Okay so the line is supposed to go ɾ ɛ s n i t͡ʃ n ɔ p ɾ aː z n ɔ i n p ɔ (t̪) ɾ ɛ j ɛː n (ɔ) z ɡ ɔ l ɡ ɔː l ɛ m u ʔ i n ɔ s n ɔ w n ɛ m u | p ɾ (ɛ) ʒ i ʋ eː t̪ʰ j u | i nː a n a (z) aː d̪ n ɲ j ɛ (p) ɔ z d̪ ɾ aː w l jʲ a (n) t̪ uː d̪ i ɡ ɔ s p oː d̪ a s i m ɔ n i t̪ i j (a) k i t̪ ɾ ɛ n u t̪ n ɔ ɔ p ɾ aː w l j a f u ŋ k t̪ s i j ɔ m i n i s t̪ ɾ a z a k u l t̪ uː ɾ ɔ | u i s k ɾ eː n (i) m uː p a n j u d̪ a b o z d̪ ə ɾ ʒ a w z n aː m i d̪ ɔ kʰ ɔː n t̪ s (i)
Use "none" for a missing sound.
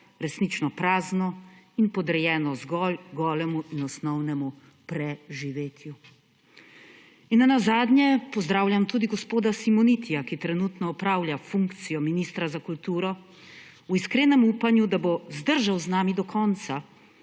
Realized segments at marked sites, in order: d̪, ɔ, ɛ, z, p, m, a, ɛ, a

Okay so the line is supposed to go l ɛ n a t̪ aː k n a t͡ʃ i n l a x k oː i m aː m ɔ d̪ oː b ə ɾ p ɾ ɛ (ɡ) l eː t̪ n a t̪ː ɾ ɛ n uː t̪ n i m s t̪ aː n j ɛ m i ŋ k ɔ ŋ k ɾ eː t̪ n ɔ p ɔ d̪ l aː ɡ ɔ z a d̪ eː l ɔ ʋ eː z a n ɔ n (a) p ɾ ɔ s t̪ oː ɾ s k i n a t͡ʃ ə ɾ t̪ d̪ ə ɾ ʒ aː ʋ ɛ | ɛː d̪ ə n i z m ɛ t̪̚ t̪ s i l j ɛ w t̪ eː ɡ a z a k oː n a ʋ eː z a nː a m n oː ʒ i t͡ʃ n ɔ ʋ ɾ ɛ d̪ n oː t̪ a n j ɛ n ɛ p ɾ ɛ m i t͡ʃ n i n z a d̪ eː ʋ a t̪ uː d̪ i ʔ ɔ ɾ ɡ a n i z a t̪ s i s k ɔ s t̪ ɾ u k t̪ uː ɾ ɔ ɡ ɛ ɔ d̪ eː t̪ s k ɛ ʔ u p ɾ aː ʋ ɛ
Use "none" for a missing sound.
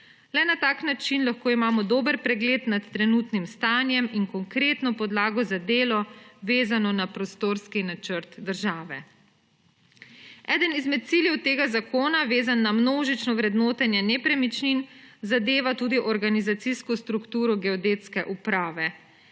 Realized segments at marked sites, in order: ɡ, a

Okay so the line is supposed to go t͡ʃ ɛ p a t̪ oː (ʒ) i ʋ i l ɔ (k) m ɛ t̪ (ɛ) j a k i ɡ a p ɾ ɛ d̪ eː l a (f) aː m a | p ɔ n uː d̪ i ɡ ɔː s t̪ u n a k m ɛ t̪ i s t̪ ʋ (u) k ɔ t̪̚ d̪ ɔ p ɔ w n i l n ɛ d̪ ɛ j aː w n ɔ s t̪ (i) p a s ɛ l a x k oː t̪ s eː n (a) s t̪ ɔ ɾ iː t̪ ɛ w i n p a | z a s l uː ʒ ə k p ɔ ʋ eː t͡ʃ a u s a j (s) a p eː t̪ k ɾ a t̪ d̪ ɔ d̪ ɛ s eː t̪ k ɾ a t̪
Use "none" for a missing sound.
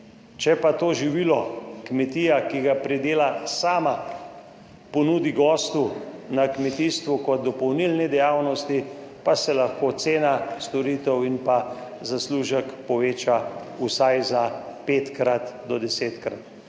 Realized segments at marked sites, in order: ʒ, k, i, s, u, i, a, z

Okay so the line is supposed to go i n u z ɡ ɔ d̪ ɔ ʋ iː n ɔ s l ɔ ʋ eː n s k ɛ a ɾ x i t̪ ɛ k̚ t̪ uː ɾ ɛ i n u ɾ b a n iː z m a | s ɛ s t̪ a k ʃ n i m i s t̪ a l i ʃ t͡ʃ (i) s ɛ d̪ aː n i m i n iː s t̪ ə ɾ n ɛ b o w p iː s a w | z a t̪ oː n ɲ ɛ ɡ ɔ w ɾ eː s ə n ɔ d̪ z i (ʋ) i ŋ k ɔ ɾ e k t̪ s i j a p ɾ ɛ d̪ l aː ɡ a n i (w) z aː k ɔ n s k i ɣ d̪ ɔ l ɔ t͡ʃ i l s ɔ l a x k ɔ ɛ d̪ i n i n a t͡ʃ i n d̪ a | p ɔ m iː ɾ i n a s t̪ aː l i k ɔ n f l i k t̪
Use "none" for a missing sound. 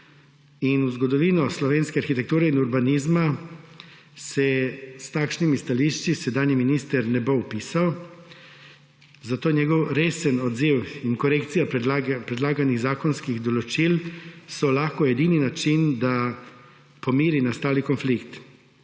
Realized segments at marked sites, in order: i, w, ɣ

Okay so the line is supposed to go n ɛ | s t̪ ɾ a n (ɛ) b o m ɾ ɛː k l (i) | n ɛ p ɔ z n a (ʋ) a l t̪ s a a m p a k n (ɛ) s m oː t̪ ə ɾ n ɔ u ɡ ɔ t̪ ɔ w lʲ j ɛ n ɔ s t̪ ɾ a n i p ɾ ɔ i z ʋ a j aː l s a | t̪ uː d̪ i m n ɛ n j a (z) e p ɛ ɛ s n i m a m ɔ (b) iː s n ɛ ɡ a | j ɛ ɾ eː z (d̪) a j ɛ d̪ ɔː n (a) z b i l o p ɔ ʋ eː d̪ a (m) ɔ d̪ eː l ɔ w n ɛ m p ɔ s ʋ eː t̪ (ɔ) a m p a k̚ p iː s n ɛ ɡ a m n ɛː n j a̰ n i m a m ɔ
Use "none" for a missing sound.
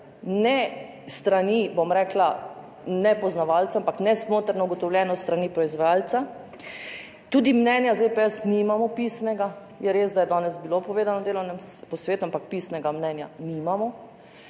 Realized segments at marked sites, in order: i, a, ʋ, ɛ, z, p, d̪, ɛ, n, u

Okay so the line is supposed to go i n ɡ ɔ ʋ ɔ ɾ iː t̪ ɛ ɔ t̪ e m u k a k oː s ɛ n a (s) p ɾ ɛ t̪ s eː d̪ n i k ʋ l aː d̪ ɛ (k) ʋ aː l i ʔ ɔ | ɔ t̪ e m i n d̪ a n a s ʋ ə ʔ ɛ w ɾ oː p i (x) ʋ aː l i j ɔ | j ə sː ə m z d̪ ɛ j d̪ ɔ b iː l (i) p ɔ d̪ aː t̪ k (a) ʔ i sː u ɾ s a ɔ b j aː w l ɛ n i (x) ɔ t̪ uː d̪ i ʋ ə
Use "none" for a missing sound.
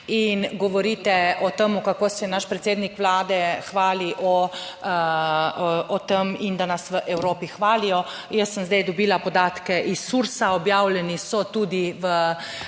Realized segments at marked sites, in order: ʃ, x, x, a, ɛ, s

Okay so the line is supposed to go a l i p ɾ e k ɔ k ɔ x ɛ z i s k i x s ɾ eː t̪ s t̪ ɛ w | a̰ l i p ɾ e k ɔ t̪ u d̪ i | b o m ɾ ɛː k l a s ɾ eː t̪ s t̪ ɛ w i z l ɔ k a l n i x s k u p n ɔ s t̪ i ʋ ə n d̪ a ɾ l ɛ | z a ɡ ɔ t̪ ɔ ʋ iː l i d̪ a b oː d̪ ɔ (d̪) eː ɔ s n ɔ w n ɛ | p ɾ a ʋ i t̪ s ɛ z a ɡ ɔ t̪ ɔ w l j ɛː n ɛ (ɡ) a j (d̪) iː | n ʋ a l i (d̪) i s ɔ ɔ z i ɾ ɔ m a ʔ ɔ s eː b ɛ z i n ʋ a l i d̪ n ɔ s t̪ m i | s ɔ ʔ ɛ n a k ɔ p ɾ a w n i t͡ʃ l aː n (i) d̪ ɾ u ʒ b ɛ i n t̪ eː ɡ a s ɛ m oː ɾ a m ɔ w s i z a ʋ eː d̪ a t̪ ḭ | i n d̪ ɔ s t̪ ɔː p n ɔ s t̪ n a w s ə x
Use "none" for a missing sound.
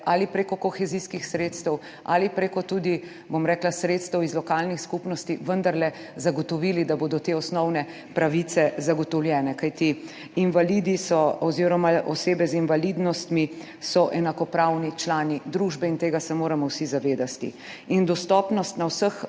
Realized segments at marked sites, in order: t̪, k, t̪, d̪, i

